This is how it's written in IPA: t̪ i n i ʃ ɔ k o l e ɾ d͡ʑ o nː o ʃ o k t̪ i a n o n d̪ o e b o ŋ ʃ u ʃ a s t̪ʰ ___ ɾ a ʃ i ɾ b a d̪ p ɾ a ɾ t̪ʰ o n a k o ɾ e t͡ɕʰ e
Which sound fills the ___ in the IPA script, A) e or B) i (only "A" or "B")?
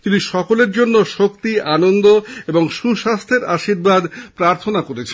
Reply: A